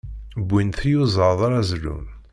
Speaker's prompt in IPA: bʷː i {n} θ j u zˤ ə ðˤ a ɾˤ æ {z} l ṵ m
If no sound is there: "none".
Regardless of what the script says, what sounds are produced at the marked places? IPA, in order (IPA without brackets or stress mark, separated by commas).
n, z